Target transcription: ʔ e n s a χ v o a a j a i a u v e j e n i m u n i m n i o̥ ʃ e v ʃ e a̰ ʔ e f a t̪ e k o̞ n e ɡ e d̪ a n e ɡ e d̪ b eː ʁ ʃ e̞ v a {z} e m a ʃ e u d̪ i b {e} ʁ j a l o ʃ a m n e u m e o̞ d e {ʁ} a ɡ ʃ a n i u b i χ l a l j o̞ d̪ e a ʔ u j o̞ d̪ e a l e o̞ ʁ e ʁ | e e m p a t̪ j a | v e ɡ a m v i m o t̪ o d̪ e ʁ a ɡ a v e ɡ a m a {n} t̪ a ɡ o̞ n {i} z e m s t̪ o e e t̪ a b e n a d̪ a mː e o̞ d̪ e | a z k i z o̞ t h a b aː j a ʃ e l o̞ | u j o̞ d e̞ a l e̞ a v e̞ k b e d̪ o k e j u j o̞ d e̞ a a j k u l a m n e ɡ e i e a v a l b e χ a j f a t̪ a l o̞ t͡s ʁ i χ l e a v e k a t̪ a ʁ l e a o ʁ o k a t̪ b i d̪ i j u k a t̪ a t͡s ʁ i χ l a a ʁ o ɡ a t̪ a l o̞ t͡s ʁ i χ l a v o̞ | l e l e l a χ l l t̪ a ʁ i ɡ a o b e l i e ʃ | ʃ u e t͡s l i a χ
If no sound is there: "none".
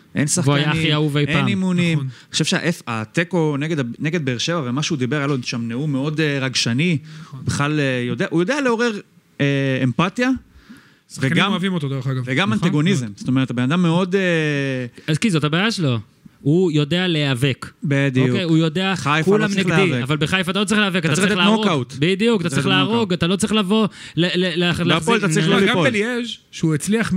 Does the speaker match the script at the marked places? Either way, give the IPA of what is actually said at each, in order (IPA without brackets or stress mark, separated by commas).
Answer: v, e, ʁ, n, i